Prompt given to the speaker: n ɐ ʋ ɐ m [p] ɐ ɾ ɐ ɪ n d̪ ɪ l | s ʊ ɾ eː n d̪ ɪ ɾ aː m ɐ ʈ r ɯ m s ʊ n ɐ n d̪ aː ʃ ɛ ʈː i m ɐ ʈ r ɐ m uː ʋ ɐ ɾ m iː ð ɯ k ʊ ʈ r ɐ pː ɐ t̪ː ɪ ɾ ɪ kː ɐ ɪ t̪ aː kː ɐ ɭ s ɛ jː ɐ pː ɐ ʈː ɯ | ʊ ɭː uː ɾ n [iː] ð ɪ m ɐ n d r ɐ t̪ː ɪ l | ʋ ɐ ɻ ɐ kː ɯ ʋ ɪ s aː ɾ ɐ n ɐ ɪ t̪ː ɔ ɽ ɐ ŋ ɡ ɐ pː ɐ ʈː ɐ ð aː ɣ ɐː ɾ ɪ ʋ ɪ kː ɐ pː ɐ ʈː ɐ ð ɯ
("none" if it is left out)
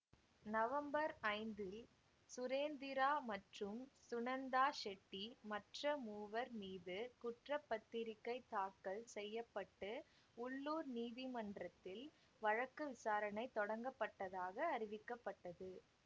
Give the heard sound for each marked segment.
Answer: b, iː

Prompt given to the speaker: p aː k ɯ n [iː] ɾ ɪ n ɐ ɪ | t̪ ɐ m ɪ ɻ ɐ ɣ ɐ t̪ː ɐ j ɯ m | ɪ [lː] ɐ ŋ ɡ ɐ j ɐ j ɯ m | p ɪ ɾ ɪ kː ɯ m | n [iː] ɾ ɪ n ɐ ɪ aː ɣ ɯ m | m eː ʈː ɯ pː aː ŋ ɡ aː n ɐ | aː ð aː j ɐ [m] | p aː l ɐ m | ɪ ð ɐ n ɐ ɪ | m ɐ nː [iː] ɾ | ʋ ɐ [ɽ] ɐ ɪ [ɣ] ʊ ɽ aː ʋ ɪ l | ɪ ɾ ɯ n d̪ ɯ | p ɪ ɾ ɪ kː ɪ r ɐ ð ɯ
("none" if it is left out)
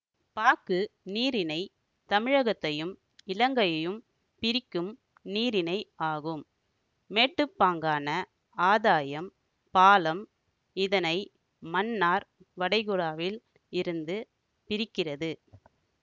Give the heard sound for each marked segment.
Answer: iː, l, iː, m, aː, ɽ, ɣ

